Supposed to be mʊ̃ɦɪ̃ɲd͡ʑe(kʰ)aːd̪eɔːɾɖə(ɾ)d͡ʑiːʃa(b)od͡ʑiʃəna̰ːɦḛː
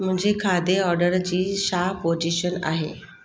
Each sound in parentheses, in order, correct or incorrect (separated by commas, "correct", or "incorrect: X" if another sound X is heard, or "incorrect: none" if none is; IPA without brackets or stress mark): correct, correct, incorrect: p